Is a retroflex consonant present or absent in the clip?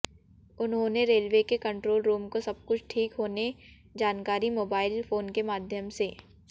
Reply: present